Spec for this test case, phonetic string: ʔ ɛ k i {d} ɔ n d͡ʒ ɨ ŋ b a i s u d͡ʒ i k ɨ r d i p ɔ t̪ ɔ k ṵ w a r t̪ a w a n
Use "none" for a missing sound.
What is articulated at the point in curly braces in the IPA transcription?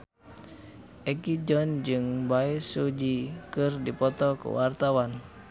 d͡ʒ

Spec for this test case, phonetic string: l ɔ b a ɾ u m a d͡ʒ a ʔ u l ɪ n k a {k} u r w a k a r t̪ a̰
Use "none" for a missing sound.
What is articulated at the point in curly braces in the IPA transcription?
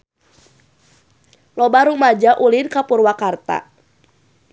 p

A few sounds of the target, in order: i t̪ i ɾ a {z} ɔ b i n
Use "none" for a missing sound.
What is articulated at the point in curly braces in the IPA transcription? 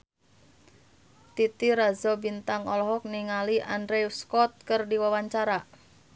z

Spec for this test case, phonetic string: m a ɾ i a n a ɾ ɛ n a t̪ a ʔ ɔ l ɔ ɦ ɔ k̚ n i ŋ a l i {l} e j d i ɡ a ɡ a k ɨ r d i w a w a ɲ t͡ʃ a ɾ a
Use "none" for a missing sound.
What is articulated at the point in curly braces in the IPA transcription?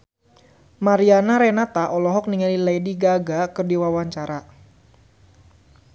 l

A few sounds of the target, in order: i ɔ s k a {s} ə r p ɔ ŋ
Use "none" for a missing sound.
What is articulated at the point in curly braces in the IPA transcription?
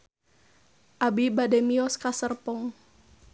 s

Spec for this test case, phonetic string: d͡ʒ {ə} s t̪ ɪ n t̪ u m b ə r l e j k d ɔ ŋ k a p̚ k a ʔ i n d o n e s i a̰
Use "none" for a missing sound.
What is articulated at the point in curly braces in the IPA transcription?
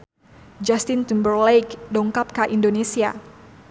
a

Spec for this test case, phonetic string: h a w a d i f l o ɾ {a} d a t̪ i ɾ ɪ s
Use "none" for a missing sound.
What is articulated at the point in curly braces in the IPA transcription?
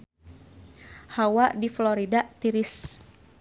i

